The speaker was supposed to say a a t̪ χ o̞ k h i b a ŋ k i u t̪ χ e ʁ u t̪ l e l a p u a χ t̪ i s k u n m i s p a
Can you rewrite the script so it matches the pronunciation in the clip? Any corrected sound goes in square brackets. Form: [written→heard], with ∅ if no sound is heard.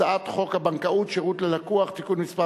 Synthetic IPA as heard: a a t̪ χ o̞ k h [i→a] b a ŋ k [i→a] u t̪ [χ→ʃ] e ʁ u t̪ l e l a [p→k] u a χ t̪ i [s→∅] k u n m i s p a

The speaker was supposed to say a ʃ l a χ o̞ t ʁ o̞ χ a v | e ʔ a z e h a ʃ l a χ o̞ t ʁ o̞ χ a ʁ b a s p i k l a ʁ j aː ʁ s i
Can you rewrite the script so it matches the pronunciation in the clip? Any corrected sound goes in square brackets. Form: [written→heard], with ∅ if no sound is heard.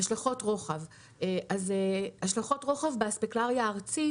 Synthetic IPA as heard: a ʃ l a χ o̞ t ʁ o̞ χ a v | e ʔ a z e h a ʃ l a χ o̞ t ʁ o̞ χ a [ʁ→v] b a s p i k l a ʁ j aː ʁ [s→t͡s] i

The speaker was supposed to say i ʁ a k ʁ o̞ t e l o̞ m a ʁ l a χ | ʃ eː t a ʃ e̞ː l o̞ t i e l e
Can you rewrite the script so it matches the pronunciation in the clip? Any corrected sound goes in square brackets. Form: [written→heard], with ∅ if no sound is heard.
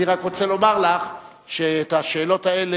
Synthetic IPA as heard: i ʁ a k ʁ o̞ [t→t͡s] e l o̞ m a ʁ l a χ | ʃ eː t a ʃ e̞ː l o̞ t [i→a] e l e

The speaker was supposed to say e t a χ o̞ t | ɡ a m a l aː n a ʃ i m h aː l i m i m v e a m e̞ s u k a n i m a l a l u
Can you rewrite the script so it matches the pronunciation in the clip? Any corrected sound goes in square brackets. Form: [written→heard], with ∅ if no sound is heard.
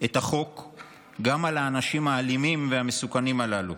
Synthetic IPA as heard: e t a χ o̞ [t→k] | ɡ a m a l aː n a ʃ i m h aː l i m i m v e a m e̞ s u k a n i m a l a l u

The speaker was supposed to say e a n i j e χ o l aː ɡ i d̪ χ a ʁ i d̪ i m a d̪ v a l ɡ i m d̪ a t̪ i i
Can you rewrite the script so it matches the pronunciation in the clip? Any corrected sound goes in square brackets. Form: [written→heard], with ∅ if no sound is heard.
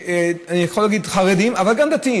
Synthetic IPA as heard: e a n i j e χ o l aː ɡ i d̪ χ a ʁ [i→e] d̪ i m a [d̪→∅] v a l ɡ [i→a] m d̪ a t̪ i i

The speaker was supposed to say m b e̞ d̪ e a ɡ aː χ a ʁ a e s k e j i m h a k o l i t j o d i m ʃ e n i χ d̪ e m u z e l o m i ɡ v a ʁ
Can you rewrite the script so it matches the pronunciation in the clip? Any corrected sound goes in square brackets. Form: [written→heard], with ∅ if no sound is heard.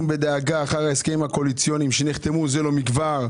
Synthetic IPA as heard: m b e̞ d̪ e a ɡ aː χ a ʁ a e s k e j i m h a k o l i [t→t͡s] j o [d→n] i m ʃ e n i χ [d̪→t̪] e m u z e l o m i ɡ v a ʁ

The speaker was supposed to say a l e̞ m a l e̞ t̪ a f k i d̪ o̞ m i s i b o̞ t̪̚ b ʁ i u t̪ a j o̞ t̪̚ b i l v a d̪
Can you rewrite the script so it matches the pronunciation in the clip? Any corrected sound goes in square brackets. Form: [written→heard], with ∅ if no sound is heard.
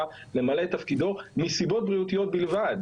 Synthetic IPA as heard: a l e̞ m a l e̞ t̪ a f k i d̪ o̞ m i s i b o̞ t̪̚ b ʁ i u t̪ [a→i] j o̞ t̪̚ b i l v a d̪

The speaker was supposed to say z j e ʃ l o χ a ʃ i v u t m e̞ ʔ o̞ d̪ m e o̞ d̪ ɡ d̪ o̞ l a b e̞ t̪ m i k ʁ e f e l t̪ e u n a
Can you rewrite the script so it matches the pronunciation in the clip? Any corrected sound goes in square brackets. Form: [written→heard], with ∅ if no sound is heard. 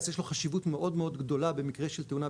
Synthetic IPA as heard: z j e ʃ l o χ a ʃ i v u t m e̞ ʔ o̞ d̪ m e o̞ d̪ ɡ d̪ o̞ l a b e̞ [t̪→∅] m i k ʁ e [f→ʃ] e l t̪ e u n a

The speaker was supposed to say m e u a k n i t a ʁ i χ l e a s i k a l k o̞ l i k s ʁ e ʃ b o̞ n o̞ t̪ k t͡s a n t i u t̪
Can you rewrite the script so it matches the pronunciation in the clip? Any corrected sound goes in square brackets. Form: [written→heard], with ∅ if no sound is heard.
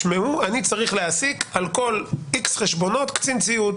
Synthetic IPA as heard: m e u a [k→∅] n i [t→t͡s] a ʁ i χ l e a s i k a l k o̞ l i k s [ʁ→χ] e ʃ b o̞ n o̞ t̪ k t͡s [a→i] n [t→t͡s] i u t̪

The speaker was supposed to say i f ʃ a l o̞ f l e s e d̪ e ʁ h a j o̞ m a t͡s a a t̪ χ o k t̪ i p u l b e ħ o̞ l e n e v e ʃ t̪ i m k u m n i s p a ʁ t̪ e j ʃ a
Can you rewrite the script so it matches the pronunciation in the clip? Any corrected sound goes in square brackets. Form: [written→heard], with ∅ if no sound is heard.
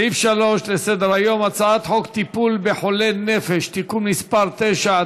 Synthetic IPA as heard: i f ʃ a l o̞ [f→ʃ] l e s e d̪ e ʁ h a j o̞ m a t͡s a a t̪ [χ→ħ] o k t̪ i p u l b e ħ o̞ l e n e [v→f] e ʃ t̪ i [m→∅] k u m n i s p a ʁ t̪ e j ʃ a

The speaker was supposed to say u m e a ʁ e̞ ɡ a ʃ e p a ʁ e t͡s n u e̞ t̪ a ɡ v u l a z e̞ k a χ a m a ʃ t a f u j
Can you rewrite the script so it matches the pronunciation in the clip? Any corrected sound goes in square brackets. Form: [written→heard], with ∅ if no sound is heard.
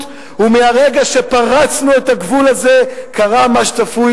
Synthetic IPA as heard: u m e a ʁ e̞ ɡ a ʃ e p a ʁ [e→a] t͡s n u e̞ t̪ a ɡ v u l a z e̞ k a [χ→ʁ] a m a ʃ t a f u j

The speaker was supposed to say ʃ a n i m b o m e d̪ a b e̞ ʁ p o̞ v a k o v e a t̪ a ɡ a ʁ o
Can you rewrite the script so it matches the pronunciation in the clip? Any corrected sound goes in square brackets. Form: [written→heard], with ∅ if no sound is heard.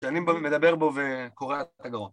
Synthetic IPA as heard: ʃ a n i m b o m e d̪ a b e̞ ʁ [p→b] o̞ v [a→e] k o [v→ʁ] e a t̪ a ɡ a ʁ o

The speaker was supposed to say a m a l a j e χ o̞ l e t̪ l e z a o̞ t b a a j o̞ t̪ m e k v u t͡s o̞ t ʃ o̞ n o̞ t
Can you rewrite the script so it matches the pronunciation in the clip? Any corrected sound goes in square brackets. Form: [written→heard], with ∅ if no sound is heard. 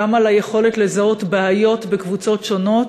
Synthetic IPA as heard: a m a l a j e χ o̞ l e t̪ l e z a o̞ t b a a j o̞ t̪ [m→b] e k v u t͡s o̞ t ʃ o̞ n o̞ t

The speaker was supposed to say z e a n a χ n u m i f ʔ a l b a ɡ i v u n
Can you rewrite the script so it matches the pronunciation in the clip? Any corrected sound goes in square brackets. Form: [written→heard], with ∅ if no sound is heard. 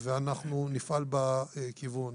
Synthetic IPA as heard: [z→v] e a n a χ n u [m→n] i f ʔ a l b a [ɡ→k] i v u n

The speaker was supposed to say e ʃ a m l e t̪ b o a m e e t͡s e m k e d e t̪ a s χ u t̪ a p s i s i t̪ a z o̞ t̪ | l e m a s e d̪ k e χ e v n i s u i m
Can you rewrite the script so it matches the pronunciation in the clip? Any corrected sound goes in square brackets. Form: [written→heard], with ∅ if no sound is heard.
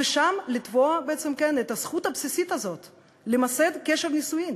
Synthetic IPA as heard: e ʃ a m l [e→i] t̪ [b→v] o a [m→b] e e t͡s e m k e [d→n] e t̪ a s χ u t̪ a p s i s i t̪ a z o̞ t̪ | l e m a s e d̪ k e [χ→ʃ] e v n i s u i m

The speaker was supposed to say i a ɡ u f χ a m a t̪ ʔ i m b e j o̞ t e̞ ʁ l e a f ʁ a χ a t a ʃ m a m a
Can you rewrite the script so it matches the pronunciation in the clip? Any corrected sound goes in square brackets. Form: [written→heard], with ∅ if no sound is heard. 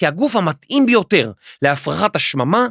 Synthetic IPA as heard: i a ɡ u f [χ→h] a m a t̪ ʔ i m b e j o̞ t e̞ ʁ l e a f ʁ a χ a t a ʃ m a m a

